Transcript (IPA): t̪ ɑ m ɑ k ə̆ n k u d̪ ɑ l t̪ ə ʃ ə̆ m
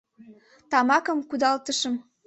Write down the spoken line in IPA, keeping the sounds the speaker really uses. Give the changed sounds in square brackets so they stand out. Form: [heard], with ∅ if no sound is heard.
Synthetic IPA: t̪ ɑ m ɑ k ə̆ [m] k u d̪ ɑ l t̪ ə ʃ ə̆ m